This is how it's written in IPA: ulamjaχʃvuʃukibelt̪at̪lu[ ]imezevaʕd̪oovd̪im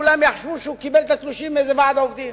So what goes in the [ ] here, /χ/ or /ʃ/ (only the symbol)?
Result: ʃ